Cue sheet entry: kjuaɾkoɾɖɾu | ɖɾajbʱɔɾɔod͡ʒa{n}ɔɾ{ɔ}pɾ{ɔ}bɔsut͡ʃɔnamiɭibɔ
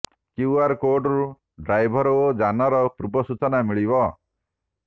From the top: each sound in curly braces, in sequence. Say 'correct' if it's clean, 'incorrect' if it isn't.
correct, correct, incorrect

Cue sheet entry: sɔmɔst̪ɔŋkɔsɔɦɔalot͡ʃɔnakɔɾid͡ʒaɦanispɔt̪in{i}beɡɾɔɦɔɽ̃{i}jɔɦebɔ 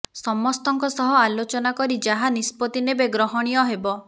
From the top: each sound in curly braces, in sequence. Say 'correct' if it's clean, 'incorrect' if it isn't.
incorrect, correct

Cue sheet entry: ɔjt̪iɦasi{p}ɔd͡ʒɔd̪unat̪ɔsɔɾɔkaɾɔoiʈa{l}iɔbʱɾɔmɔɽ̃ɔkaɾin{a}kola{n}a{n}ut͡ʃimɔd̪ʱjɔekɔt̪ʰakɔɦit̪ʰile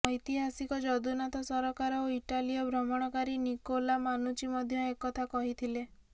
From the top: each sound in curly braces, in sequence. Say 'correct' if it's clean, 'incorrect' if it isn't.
incorrect, correct, incorrect, incorrect, correct

